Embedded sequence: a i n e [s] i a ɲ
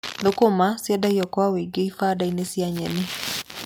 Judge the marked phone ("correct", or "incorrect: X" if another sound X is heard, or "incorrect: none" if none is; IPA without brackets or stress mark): correct